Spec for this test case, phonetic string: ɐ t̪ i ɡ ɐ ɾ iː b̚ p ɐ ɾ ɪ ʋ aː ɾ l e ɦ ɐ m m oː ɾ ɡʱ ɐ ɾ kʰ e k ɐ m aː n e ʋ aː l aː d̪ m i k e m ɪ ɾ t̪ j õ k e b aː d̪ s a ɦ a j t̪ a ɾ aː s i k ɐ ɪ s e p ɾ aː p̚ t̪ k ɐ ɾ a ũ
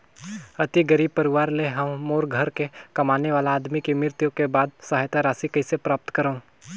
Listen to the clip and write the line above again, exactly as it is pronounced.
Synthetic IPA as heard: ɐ t̪ i ɡ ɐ ɾ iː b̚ p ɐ ɾ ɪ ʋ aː ɾ l e ɦ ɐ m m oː ɾ ɡʱ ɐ ɾ k e k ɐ m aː n e ʋ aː l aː d̪ m i k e m ɪ ɾ t̪ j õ k e b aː d̪ s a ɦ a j t̪ a ɾ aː s i k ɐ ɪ s e p ɾ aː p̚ t̪ k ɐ ɾ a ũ